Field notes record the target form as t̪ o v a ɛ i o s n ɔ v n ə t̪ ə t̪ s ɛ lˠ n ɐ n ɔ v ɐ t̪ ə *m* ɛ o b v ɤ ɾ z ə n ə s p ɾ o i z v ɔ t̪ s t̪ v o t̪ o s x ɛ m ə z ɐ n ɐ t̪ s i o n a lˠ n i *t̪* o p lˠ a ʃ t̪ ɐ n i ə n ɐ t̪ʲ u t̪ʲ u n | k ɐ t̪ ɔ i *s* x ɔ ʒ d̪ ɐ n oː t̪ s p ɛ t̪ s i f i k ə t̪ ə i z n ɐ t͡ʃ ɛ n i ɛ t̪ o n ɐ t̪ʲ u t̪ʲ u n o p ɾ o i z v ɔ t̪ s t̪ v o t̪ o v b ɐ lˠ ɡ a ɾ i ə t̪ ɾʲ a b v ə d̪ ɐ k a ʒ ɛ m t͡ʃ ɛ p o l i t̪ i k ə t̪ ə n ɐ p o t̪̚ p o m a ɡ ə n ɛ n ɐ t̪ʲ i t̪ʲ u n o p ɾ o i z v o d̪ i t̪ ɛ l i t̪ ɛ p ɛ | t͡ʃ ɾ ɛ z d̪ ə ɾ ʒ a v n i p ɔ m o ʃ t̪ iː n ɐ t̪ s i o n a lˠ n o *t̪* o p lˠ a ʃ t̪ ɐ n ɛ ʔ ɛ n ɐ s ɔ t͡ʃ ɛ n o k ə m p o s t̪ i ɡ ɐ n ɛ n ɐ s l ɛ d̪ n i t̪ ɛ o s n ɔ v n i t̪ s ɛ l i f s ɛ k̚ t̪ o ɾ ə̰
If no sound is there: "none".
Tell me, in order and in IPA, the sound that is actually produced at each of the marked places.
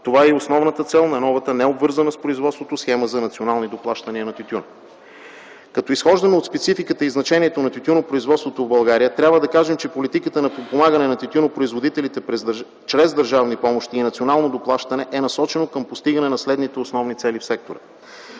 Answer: n, d̪, s, d̪

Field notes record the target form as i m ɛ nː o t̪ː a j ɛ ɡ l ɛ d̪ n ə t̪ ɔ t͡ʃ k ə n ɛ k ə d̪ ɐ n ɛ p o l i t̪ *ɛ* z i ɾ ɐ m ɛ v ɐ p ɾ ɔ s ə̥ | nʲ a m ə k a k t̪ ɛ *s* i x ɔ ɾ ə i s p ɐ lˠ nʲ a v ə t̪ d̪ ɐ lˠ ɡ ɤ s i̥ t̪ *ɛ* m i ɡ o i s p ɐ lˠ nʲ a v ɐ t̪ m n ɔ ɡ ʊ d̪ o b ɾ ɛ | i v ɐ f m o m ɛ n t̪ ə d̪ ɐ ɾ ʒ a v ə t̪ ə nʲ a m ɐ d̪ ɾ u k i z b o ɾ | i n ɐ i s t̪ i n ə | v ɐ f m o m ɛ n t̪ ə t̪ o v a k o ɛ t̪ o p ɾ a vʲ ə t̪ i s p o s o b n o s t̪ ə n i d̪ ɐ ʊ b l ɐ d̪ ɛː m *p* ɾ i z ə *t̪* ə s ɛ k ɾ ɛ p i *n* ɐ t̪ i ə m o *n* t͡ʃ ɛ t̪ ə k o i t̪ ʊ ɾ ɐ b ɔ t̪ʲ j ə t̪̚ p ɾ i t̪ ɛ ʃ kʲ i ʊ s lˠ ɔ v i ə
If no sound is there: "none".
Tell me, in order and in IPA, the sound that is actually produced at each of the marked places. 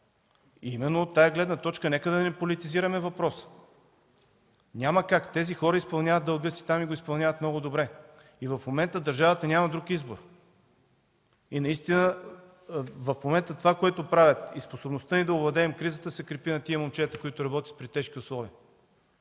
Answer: i, z, a, k, t̪, n, m

